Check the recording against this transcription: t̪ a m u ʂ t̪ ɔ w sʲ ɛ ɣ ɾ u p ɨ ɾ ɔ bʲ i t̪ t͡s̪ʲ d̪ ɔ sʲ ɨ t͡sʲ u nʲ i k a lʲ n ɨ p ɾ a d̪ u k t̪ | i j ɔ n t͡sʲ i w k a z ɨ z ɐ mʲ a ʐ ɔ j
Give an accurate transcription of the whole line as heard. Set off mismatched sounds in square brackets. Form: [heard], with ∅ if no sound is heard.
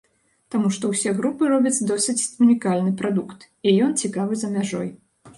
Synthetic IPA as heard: t̪ a m u ʂ t̪ ɔ w sʲ ɛ ɣ ɾ u p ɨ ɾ ɔ bʲ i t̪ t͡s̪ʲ d̪ ɔ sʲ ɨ t͡sʲ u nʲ i k a lʲ n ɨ p ɾ a d̪ u k t̪ | i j ɔ n t͡sʲ i [∅] k a [v] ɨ z ɐ mʲ a ʐ ɔ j